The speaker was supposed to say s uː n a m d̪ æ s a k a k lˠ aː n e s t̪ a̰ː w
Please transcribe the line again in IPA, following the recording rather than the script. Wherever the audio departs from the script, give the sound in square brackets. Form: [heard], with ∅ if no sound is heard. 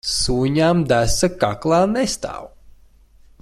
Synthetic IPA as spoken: s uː [ɲ] a m d̪ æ s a k a k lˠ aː n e s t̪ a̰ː w